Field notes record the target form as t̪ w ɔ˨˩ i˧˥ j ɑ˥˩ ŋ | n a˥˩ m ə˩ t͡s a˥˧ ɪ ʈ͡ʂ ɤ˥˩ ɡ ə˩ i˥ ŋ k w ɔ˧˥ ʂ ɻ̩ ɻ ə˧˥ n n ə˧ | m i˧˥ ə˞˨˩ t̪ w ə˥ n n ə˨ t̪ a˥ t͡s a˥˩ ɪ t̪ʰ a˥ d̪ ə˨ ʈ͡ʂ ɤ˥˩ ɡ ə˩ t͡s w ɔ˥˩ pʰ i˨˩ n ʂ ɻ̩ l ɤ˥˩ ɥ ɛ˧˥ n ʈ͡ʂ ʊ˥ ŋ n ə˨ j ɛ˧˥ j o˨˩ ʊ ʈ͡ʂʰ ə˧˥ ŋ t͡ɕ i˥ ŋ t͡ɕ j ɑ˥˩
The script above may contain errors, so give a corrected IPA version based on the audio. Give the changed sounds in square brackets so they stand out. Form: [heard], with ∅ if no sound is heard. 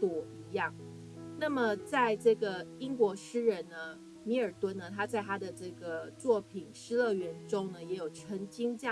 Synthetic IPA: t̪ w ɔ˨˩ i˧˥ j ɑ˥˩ ŋ | n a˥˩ m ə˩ t͡s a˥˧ ɪ ʈ͡ʂ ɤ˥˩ ɡ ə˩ i˥ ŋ k w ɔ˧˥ ʂ ɻ̩ ɻ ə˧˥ n n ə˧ | m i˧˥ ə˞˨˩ t̪ w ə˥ n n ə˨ [t̪ʰ] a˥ t͡s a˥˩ ɪ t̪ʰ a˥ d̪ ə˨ ʈ͡ʂ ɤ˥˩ ɡ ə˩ t͡s w ɔ˥˩ pʰ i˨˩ n ʂ ɻ̩ l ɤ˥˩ ɥ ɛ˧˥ n ʈ͡ʂ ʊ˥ ŋ n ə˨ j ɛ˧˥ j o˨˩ ʊ ʈ͡ʂʰ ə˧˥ ŋ t͡ɕ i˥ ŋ t͡ɕ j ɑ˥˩